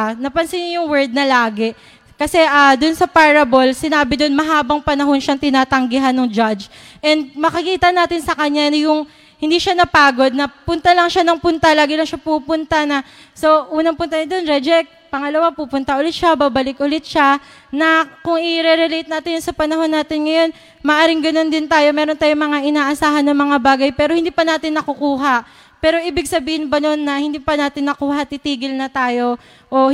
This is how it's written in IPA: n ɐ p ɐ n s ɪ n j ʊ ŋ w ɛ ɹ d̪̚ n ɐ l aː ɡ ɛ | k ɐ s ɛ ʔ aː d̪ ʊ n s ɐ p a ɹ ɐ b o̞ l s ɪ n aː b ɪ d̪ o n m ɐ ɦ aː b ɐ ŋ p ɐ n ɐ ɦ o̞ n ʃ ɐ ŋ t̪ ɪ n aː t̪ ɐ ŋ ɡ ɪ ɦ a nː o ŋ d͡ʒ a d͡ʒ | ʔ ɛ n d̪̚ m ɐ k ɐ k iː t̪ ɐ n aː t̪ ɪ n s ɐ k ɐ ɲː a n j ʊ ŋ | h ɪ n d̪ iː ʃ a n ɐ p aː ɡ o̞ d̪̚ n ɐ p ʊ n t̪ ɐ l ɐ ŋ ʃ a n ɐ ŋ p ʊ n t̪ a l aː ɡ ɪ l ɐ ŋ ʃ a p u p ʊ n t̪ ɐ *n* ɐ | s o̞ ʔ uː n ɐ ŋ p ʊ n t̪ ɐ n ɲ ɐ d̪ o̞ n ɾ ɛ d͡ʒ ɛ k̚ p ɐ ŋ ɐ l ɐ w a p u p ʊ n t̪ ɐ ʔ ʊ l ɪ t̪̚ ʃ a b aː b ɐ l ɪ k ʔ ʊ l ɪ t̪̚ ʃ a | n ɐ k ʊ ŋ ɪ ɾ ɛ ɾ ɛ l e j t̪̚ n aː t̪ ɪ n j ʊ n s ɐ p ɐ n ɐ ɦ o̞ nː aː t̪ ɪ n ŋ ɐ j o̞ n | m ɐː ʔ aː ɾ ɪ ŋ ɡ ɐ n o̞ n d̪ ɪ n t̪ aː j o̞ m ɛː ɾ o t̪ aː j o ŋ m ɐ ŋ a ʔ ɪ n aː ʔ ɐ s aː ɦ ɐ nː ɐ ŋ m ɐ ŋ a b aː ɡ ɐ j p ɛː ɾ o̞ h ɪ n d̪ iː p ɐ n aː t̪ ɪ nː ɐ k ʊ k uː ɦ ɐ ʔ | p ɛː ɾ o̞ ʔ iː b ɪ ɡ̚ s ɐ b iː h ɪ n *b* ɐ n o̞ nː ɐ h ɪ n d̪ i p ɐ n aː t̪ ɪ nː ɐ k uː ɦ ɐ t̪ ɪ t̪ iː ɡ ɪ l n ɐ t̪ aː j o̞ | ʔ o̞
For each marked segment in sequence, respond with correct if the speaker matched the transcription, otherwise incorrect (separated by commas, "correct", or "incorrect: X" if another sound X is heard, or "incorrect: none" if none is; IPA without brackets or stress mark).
correct, correct